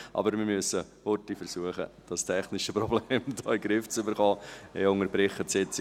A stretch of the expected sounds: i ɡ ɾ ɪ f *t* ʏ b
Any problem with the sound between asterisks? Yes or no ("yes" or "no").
yes